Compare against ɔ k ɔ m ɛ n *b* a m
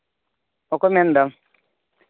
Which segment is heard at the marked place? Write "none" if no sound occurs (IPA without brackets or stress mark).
d